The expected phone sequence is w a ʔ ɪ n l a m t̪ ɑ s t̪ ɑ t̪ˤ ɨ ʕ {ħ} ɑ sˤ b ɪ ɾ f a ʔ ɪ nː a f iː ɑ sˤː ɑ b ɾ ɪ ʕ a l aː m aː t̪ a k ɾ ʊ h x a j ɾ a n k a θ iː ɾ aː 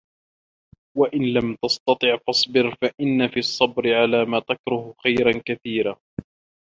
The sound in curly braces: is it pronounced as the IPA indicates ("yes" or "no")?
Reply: no